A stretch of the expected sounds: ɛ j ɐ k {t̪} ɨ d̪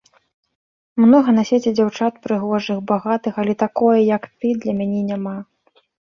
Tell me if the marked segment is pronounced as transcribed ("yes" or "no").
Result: yes